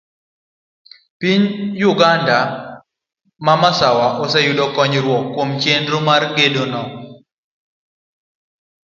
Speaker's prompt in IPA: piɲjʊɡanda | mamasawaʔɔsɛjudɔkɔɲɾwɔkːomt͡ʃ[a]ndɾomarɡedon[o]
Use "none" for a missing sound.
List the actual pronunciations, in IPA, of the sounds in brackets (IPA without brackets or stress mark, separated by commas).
e, ɔ